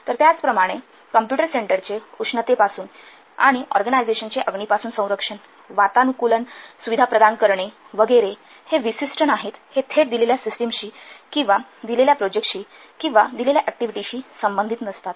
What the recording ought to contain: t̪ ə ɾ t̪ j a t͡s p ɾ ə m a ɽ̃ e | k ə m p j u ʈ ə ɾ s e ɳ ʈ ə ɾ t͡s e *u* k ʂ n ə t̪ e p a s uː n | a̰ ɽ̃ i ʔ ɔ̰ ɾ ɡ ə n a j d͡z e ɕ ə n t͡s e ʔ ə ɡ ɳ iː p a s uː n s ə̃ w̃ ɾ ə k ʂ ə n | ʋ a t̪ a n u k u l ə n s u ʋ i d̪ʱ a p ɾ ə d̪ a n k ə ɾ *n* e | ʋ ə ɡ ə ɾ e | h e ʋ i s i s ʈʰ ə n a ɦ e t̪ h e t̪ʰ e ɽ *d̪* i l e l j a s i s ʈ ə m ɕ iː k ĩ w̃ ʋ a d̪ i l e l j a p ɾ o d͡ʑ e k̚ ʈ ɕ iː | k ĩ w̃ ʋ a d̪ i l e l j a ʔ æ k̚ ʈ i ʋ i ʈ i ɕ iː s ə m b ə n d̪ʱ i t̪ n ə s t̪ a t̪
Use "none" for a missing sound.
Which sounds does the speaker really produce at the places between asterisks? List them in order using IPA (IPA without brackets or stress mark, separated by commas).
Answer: u, ɳ, d̪